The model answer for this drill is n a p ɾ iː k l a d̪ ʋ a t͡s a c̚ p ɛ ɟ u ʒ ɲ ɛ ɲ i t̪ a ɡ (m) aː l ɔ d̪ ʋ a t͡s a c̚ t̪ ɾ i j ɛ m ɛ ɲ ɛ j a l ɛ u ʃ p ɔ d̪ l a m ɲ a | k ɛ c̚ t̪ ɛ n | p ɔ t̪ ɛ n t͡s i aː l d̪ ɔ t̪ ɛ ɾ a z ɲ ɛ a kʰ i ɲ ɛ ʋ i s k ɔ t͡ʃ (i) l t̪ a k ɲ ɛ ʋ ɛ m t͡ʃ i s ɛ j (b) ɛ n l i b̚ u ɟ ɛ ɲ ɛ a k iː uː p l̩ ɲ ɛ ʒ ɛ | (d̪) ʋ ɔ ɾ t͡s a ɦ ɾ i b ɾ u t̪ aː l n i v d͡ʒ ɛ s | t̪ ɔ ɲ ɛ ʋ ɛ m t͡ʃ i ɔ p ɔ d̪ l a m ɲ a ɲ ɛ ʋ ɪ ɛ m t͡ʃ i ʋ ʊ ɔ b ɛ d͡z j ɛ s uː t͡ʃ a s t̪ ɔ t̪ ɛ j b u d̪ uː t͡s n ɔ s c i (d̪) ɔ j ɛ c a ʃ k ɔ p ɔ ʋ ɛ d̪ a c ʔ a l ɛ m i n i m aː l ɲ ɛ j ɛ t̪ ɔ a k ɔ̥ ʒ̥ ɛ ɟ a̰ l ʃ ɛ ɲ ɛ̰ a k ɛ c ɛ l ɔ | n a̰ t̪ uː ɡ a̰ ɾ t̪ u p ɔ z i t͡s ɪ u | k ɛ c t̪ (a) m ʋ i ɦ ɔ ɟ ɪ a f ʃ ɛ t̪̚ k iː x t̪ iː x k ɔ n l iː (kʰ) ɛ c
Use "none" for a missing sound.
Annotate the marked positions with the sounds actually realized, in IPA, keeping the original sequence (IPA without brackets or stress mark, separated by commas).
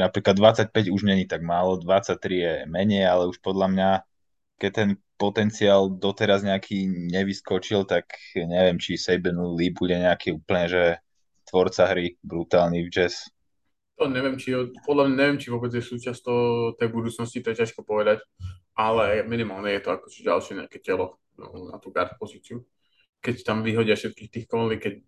m, i, b, t̪, t̪, a, k